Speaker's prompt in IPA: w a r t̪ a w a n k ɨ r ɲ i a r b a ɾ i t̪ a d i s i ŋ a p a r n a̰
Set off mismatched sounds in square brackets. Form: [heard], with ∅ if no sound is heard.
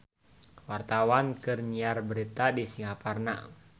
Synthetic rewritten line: w a r t̪ a w a n k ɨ r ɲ i a r b [ə] ɾ i t̪ a d i s i ŋ a p a r n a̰